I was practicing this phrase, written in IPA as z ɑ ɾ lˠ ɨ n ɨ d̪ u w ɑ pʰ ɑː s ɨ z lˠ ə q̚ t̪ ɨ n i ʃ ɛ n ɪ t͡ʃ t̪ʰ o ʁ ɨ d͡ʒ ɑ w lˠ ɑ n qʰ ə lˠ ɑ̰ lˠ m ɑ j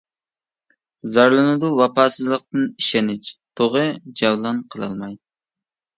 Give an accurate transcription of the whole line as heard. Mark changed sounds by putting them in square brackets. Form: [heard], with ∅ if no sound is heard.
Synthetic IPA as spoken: z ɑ ɾ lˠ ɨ n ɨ d̪ u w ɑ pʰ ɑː s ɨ z lˠ ə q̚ t̪ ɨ n i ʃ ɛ n ɪ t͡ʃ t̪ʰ o ʁ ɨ d͡ʒ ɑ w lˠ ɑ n qʰ ə lˠ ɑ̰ lˠ m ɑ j